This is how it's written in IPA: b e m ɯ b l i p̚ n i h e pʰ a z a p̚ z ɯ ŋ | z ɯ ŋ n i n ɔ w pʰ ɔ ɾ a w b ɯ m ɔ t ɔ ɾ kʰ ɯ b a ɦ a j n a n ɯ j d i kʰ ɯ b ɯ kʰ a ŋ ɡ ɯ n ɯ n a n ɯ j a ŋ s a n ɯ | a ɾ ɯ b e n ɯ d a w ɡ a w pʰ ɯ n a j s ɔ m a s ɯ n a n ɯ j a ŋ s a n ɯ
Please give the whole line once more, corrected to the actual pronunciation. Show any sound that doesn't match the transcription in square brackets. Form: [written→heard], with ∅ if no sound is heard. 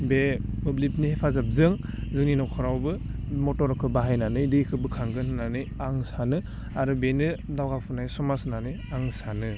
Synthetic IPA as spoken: b e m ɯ b l i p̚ n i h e pʰ a z a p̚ z ɯ ŋ | z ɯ ŋ n i n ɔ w [pʰ→kʰ] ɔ ɾ a w b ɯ m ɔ t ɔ ɾ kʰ ɯ b a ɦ a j n a n ɯ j d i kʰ ɯ b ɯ kʰ a ŋ ɡ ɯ n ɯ n a n ɯ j a ŋ s a n ɯ | a ɾ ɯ b e n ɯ d a w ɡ a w pʰ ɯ n a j s ɔ m a s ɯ n a n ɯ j a ŋ s a n ɯ

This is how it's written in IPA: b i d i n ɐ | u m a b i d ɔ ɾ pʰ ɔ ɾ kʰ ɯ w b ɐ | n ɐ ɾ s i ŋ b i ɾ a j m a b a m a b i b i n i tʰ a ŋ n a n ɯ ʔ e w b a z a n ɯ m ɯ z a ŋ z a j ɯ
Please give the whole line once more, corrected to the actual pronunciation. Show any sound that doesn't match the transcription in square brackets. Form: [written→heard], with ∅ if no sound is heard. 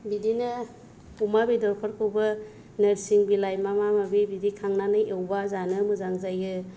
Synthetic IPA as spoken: b i d i n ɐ | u m a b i d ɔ ɾ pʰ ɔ ɾ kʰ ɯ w b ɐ | n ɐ ɾ s i ŋ b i [ɾ→l] a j m a [b→m] a m a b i b i [n→d] i [tʰ→kʰ] a ŋ n a n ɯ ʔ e w b a z a n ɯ m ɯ z a ŋ z a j ɯ

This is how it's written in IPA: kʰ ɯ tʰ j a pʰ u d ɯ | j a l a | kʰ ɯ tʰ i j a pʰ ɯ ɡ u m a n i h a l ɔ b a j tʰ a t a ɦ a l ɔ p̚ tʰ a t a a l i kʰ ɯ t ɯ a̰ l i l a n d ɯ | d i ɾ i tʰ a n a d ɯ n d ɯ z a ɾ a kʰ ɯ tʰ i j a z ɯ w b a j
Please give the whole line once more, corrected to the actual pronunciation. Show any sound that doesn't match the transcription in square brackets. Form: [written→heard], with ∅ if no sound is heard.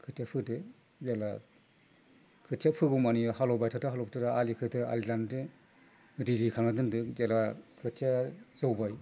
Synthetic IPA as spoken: kʰ ɯ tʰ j a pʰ [u→ɯ] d ɯ | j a l a | kʰ ɯ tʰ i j a pʰ ɯ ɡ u m a n i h a l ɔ b a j tʰ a t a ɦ a l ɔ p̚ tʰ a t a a l i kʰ ɯ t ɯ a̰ l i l a n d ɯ | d i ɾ i [tʰ→kʰ] a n a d ɯ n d ɯ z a [ɾ→l] a kʰ ɯ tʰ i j a z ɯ w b a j

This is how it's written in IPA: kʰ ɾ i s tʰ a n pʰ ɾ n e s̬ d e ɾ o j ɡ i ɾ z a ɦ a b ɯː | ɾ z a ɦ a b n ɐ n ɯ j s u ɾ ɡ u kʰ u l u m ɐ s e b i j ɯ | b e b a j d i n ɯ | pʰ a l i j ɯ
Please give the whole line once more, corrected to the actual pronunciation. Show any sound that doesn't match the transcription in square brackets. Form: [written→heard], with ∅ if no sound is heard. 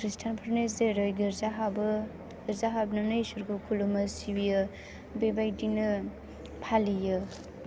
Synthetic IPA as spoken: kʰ ɾ i s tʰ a n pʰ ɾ n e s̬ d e ɾ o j ɡ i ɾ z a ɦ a b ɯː | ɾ z a ɦ a b n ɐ n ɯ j s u ɾ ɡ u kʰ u l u m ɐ s [e→i] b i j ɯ | b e b a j d i n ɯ | pʰ a l i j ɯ

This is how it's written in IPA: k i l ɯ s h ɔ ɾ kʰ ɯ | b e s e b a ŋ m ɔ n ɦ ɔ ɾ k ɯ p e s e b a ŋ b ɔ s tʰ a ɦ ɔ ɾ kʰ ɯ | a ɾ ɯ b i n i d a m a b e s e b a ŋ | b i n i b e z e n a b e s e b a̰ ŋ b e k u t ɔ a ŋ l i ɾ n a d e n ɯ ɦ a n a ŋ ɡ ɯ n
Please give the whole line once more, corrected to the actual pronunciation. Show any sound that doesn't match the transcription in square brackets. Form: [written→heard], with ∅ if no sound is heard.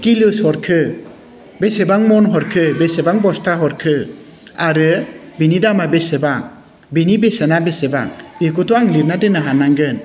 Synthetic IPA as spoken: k i l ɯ s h ɔ ɾ kʰ ɯ | b e s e b a ŋ m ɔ n ɦ ɔ ɾ [k→kʰ] ɯ [p→b] e s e b a ŋ b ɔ s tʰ a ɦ ɔ ɾ kʰ ɯ | a ɾ ɯ b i n i d a m a b e s e b a ŋ | b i n i b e [z→s] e n a b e s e b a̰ ŋ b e k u t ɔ a ŋ l i ɾ n a d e n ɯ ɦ a n a ŋ ɡ ɯ n

